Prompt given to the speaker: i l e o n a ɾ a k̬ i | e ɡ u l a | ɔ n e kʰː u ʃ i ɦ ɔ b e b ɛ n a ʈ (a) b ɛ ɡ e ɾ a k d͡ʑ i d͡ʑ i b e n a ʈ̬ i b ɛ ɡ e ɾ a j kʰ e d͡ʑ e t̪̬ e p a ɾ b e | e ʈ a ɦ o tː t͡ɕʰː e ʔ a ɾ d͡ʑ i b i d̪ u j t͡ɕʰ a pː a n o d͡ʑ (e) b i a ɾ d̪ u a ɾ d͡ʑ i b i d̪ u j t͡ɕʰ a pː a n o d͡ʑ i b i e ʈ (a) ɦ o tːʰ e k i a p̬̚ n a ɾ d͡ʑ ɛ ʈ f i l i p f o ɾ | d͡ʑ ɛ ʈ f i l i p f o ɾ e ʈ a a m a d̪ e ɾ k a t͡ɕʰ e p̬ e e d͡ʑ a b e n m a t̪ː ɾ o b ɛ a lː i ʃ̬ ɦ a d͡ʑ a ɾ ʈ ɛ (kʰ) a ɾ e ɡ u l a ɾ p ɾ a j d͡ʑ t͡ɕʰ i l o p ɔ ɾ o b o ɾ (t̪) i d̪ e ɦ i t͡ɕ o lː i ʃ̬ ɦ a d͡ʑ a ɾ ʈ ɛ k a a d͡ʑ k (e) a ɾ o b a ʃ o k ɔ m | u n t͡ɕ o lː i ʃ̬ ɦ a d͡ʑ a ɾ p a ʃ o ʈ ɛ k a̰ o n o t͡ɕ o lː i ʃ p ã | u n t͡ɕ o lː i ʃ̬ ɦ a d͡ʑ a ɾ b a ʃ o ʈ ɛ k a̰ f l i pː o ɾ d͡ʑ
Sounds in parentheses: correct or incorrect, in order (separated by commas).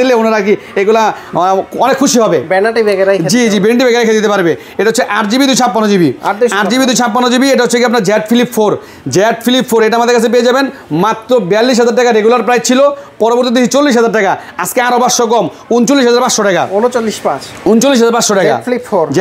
incorrect, incorrect, correct, incorrect, correct, correct